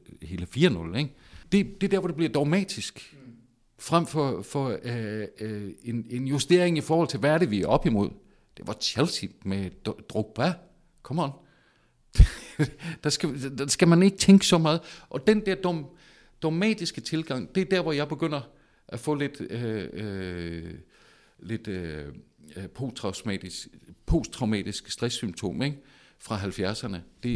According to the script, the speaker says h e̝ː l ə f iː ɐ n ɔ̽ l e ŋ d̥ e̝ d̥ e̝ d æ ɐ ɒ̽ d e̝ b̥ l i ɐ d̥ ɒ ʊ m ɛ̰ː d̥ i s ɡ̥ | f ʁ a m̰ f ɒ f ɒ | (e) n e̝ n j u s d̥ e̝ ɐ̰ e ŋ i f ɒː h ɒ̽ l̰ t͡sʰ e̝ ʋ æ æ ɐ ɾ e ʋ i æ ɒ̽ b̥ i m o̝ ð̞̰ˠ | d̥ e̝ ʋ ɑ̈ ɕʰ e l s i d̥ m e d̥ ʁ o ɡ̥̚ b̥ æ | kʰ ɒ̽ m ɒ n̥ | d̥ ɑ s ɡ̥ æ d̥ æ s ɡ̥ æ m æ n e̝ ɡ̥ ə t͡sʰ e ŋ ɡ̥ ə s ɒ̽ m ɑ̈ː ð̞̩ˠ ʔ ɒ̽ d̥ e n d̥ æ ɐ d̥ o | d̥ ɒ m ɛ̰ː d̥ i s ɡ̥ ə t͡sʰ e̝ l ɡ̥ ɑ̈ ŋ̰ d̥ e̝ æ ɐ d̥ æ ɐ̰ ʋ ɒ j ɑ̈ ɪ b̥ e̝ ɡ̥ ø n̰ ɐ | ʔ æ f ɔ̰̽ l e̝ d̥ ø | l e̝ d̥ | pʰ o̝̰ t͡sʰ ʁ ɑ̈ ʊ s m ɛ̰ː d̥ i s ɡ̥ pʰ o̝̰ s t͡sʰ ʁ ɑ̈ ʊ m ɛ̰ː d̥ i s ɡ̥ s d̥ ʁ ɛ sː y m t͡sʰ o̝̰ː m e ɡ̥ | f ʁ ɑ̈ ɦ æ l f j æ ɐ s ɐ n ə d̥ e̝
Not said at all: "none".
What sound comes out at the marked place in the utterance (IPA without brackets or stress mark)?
e